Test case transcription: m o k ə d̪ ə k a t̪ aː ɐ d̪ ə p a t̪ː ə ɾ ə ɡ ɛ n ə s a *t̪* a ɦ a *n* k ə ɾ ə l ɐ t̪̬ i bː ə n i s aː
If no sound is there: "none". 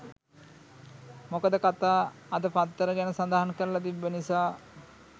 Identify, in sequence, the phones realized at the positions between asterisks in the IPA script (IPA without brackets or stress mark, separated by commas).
d̪, n